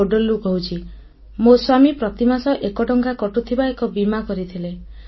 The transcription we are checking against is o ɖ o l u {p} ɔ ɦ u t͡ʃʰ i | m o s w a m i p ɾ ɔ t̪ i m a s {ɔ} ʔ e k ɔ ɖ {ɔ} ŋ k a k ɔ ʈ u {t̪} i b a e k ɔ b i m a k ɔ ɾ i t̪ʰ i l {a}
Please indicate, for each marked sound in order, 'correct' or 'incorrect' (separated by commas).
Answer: incorrect, correct, correct, incorrect, incorrect